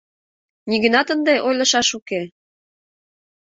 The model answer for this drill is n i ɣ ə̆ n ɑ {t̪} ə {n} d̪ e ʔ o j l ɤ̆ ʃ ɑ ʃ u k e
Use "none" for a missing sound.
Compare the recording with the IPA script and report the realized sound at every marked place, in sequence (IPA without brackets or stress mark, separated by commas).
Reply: t̪, n